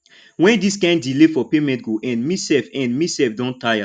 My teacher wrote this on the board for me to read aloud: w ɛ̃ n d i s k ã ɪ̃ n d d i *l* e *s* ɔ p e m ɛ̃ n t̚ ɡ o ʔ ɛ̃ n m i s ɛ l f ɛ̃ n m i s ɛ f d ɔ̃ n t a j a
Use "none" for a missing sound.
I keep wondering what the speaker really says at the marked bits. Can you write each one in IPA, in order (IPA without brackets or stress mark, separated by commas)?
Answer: l, f